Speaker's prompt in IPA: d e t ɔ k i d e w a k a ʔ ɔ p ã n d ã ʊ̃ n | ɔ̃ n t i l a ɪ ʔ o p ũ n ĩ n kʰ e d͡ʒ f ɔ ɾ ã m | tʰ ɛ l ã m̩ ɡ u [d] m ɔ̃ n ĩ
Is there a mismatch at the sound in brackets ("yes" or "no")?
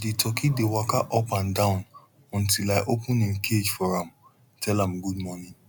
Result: no